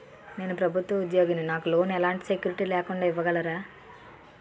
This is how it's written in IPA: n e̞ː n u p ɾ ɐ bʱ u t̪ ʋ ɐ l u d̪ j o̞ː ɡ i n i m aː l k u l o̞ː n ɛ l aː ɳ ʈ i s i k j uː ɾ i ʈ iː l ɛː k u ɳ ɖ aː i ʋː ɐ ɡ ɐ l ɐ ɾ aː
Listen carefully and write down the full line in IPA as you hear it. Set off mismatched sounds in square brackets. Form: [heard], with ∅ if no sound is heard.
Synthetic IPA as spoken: n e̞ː n u p ɾ ɐ bʱ u t̪ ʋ ɐ [∅] u d̪ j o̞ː ɡ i n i [n] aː [∅] k u l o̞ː n ɛ l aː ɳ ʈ i s [e] k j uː ɾ i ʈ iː l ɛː k u ɳ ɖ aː i ʋː ɐ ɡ ɐ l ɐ ɾ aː